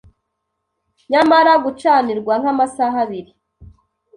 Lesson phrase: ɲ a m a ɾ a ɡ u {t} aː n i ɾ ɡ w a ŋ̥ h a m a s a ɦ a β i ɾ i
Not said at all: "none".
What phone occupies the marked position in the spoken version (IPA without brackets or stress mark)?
t͡ʃ